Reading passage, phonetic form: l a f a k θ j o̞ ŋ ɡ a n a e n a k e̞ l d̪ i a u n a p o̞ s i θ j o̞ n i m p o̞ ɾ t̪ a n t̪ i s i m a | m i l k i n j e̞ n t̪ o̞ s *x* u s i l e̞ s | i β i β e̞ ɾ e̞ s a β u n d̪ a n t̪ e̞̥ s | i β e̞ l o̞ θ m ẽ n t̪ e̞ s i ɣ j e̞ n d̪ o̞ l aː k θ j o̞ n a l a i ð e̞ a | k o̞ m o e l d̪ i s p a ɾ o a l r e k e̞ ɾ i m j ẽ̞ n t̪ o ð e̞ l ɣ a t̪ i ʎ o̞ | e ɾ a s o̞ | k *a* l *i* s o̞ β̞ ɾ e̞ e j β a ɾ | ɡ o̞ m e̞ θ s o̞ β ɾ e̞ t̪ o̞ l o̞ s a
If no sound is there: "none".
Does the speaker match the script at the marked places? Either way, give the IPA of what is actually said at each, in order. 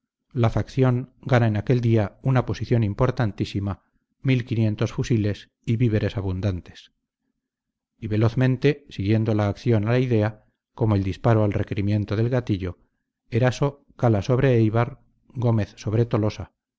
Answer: f, a, a

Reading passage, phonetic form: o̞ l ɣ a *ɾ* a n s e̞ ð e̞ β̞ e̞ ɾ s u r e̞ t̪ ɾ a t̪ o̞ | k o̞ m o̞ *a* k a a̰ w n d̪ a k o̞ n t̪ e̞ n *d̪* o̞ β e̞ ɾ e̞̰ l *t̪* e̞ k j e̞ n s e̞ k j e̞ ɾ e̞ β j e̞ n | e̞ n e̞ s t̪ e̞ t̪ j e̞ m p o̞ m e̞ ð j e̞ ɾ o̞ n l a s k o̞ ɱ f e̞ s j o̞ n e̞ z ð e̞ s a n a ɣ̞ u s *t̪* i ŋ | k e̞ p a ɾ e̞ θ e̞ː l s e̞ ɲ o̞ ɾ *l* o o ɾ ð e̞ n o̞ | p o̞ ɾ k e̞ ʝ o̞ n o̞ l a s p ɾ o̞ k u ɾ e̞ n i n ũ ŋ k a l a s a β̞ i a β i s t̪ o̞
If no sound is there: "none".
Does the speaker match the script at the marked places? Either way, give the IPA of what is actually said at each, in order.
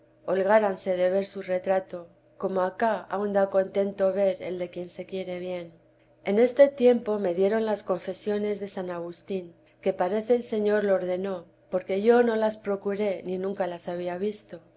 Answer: ɾ, a, t̪, d̪, t̪, l

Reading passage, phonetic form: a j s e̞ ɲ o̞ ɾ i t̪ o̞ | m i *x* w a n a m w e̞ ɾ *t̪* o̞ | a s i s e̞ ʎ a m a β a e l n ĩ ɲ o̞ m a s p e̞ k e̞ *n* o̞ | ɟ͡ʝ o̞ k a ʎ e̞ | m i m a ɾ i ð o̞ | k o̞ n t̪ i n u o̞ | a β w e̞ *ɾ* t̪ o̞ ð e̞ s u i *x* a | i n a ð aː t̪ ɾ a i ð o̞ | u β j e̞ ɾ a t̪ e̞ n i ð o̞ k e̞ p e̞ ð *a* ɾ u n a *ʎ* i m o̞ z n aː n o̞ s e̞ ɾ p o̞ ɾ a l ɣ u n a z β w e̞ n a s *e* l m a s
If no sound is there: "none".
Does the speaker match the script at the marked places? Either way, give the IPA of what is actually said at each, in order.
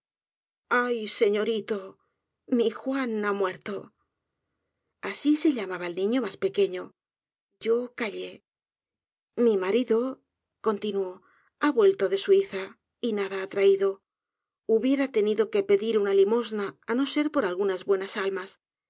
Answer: x, t̪, ɲ, l, θ, i, l, a

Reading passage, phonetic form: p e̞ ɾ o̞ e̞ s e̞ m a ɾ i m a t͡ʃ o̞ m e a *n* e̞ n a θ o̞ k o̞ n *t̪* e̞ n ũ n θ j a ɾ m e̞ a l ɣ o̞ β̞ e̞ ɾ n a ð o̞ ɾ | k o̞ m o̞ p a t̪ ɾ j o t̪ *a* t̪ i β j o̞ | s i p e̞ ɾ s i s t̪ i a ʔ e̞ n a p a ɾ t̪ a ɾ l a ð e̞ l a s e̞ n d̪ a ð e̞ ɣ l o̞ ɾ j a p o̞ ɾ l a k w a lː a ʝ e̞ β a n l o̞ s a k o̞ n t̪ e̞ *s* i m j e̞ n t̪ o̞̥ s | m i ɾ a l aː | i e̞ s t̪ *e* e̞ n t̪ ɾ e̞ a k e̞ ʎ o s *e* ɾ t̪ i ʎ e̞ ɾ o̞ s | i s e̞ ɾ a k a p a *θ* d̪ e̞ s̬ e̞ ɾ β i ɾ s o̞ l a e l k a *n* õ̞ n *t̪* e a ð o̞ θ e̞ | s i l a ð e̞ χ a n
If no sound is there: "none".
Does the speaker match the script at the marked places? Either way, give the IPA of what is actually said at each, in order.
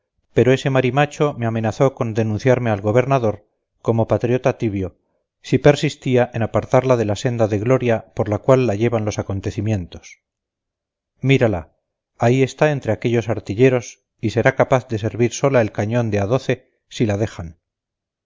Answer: m, d̪, a, θ, a, a, θ, ɲ, d̪

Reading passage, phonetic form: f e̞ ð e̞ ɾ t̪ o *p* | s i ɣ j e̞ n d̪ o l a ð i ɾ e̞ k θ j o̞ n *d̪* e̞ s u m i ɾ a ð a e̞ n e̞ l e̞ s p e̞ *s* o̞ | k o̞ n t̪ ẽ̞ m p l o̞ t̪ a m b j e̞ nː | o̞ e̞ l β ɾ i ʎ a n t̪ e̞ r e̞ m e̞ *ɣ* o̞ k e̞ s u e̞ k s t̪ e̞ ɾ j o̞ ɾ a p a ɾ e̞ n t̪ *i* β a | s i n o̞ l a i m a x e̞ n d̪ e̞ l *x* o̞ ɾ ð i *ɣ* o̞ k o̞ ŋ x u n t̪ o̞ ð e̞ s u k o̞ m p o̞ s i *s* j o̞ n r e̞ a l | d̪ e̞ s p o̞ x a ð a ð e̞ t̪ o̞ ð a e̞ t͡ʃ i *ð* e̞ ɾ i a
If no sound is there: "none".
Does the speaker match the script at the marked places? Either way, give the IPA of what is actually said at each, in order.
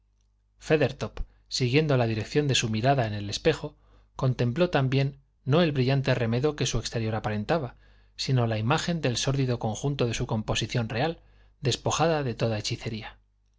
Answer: p, d̪, x, ð, a, s, ð, θ, θ

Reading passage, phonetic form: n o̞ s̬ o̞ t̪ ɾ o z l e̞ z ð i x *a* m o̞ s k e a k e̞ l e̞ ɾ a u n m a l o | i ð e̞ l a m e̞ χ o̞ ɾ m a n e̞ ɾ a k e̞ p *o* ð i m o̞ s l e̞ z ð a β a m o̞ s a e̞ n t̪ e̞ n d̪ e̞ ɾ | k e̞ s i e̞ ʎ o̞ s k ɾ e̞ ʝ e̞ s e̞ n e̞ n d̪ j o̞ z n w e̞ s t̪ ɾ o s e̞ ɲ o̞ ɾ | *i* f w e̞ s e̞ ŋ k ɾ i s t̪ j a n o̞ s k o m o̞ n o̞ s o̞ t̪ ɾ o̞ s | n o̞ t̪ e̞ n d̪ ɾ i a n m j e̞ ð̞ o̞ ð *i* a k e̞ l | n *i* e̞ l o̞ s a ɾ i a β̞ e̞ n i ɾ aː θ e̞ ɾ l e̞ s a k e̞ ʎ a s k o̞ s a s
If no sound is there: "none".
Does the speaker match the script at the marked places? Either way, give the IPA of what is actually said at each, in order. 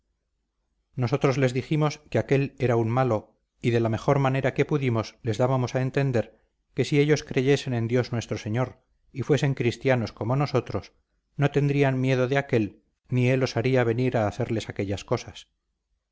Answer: i, u, i, e, i

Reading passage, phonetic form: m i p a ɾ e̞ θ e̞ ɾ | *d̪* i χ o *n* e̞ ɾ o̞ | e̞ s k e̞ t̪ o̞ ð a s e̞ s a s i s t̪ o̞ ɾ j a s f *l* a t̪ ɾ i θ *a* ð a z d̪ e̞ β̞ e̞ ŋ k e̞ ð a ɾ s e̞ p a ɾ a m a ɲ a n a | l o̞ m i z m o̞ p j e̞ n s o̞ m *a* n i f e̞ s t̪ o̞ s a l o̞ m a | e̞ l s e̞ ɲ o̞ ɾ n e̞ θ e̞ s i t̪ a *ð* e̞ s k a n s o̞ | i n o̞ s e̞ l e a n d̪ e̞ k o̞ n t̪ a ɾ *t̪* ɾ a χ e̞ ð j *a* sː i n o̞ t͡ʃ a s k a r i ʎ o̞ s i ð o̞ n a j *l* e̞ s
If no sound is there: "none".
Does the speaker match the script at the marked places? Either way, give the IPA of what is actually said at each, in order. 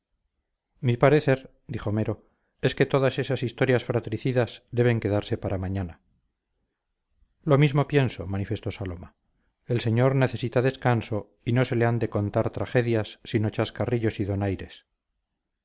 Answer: d̪, m, ɾ, i, a, ð, t̪, a, ɾ

